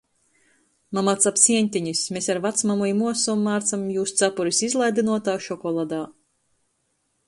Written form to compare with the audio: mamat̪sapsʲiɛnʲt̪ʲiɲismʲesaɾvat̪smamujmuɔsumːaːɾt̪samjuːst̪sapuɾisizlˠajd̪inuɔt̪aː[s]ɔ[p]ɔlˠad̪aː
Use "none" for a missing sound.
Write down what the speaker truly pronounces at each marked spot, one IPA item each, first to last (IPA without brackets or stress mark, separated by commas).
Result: ʃ, k